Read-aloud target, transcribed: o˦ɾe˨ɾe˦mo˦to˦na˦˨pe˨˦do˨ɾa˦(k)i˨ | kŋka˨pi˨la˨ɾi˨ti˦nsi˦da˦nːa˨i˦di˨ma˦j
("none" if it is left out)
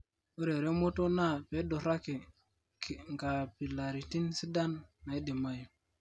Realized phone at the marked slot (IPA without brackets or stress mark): k